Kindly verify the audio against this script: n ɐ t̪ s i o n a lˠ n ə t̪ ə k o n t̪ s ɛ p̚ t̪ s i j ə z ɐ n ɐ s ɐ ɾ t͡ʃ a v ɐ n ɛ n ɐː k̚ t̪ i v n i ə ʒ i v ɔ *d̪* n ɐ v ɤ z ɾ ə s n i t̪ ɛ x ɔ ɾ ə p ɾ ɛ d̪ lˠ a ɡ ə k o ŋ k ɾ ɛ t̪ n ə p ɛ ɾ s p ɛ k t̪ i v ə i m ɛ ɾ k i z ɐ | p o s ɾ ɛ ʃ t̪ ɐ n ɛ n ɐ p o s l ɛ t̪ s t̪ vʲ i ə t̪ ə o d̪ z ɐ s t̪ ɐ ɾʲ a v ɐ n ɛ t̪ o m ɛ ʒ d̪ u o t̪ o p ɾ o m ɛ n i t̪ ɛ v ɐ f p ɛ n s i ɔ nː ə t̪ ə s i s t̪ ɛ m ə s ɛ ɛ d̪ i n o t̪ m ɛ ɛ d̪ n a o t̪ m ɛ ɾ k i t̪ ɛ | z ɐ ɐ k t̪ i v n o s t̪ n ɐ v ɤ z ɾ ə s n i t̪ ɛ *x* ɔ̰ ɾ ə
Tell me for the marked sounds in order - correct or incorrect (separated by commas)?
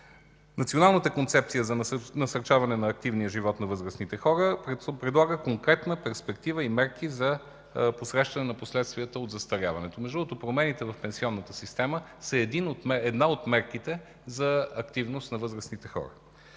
incorrect, correct